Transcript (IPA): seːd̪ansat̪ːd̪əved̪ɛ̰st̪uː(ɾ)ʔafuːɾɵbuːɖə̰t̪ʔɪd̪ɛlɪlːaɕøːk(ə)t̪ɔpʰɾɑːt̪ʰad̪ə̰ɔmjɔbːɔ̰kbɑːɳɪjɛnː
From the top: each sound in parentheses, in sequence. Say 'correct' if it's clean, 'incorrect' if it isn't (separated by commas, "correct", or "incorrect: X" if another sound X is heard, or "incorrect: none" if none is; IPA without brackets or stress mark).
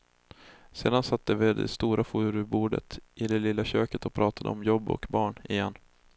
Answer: correct, correct